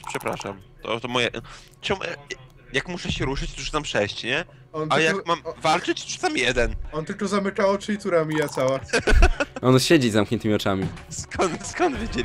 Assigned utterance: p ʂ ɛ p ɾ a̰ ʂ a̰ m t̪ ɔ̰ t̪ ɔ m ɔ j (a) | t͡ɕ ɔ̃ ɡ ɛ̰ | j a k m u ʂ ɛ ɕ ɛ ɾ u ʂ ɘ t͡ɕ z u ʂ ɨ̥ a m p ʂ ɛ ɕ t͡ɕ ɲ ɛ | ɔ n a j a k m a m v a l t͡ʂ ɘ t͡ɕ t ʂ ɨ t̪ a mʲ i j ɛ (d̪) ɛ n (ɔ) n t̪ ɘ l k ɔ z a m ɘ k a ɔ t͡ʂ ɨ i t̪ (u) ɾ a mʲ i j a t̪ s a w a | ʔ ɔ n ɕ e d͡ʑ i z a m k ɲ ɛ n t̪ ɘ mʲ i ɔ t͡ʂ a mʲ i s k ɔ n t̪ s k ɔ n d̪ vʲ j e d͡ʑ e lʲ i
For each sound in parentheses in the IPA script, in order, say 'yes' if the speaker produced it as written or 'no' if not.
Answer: no, yes, yes, yes

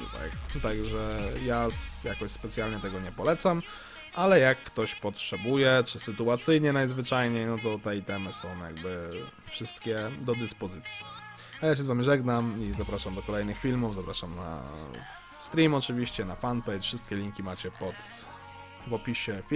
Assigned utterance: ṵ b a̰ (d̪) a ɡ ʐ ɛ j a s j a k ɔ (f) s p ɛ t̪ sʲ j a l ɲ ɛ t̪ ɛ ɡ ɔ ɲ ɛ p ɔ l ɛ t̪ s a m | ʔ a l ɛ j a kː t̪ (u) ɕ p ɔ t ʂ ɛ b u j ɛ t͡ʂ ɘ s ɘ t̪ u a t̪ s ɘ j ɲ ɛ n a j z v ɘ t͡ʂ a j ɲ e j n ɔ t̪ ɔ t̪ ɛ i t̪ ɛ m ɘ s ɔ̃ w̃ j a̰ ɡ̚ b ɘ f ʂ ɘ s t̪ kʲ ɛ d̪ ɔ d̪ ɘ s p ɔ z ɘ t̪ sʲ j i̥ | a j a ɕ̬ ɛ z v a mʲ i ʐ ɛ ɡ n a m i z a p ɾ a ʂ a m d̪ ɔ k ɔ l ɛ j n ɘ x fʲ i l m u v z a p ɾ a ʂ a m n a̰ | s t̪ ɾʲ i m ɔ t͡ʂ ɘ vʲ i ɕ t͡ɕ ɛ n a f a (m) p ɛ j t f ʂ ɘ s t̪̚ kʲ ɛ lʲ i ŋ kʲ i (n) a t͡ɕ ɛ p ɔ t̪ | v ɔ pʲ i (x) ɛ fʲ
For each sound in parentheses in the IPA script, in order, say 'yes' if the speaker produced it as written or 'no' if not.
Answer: no, no, no, no, no, no

